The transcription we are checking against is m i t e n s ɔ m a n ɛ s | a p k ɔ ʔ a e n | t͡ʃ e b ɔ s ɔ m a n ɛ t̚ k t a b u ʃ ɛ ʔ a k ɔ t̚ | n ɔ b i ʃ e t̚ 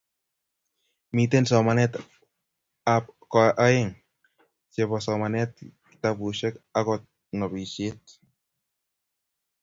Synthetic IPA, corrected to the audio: m i t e n s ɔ m a n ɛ t | a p k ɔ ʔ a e ŋ | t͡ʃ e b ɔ s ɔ m a n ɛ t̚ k t a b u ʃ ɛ k a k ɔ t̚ | n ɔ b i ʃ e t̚